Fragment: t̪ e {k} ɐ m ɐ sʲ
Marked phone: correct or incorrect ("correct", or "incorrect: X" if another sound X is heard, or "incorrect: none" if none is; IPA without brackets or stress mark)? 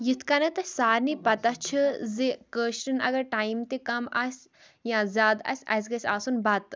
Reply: correct